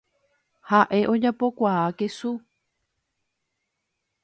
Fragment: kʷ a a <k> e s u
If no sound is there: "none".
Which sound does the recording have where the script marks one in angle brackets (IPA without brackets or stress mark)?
k